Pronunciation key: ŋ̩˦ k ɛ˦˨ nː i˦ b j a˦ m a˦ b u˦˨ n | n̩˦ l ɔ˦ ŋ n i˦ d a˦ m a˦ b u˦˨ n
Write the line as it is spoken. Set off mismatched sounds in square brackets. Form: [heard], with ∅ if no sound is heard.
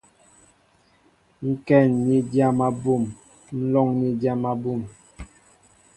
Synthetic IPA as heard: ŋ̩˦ k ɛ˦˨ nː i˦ [d] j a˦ m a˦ b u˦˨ [m] | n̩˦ l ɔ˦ ŋ n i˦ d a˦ m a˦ b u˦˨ [m]